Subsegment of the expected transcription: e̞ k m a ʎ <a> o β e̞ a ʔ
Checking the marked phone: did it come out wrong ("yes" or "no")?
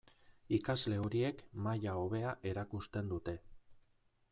no